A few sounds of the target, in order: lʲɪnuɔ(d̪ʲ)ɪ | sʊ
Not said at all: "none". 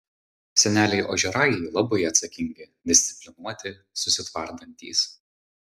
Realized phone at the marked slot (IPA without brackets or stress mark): t̪ʲ